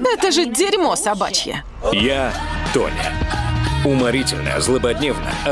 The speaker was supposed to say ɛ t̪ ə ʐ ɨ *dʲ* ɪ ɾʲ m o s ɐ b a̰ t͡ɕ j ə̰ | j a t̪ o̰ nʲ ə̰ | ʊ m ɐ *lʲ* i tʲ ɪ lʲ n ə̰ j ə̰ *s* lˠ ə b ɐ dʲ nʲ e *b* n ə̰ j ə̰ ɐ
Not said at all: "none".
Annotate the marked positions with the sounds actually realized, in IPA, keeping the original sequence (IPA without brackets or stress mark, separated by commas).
dʲ, ɾʲ, z, v